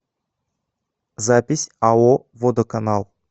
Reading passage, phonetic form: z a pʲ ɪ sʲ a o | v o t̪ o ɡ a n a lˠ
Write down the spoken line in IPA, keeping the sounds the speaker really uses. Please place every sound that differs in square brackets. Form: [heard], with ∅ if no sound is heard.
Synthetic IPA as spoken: z a pʲ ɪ sʲ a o | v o [d̪] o [k] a n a lˠ

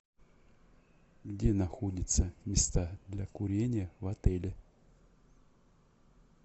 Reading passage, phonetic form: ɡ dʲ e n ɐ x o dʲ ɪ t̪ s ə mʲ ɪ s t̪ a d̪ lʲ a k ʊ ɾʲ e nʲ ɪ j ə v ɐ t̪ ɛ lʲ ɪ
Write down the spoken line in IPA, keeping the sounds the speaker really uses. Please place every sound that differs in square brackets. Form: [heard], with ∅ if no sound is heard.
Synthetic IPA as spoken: ɡ dʲ e n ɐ x o dʲ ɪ t̪ s ə mʲ ɪ s t̪ a d̪ lʲ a k ʊ ɾʲ e nʲ ɪ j ə v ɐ t̪ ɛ lʲ ɪ

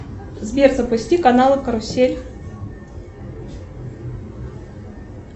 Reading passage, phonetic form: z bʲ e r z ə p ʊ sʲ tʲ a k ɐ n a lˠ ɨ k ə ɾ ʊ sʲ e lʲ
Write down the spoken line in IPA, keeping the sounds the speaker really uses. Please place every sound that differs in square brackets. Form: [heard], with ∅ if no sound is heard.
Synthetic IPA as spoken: z bʲ e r z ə p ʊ sʲ tʲ [i] k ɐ n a lˠ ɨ k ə ɾ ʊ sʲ e lʲ

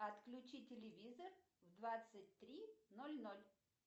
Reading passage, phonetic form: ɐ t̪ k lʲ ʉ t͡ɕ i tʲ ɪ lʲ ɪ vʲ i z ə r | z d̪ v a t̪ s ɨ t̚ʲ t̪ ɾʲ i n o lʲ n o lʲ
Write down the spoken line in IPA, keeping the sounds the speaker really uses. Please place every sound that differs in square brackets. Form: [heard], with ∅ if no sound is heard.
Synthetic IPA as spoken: ɐ t̪ k lʲ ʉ t͡ɕ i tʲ ɪ lʲ ɪ vʲ i z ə r | [v] d̪ v a t̪ s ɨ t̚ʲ t̪ ɾʲ i n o lʲ n o lʲ

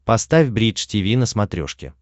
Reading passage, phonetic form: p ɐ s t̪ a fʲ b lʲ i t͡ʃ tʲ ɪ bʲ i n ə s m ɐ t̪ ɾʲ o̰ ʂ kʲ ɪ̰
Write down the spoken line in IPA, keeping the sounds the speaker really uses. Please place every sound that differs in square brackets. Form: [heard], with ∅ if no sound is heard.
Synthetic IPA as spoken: p ɐ s t̪ a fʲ b [ɾʲ] i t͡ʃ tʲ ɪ [vʲ] i n ə s m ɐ t̪ ɾʲ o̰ ʂ kʲ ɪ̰

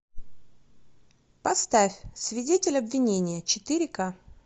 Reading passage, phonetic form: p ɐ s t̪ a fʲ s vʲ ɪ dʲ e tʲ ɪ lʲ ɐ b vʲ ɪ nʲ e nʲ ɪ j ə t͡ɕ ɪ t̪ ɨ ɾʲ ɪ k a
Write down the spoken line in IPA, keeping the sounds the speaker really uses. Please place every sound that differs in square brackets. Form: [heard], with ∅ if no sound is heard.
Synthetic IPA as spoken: p ɐ s t̪ a fʲ s vʲ ɪ dʲ e tʲ ɪ lʲ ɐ b vʲ ɪ nʲ e nʲ ɪ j ə t͡ɕ ɪ t̪ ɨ ɾʲ ɪ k a

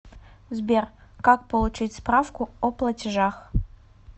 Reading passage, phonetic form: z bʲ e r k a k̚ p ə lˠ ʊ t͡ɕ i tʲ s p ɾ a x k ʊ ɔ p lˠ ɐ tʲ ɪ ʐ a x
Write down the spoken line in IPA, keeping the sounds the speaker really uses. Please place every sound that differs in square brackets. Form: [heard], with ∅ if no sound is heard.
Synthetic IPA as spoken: z bʲ e r k a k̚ p ə lˠ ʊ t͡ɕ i tʲ s p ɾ a [f] k ʊ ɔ p lˠ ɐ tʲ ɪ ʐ a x

